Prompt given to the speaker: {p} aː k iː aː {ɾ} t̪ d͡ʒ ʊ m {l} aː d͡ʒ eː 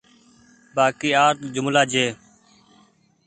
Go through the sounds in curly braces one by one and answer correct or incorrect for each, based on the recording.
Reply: incorrect: b, correct, correct

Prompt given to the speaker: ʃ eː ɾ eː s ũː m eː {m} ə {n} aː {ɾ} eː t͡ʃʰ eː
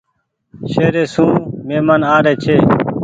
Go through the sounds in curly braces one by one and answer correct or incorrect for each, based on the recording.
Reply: correct, correct, correct

